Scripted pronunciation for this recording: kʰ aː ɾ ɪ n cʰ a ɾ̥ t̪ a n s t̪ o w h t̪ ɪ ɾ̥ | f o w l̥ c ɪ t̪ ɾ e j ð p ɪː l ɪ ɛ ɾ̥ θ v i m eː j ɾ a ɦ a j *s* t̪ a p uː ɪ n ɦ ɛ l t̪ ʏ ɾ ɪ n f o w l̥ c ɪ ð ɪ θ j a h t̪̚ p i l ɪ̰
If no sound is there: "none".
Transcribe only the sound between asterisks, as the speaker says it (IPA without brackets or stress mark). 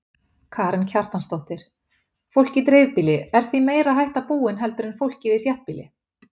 h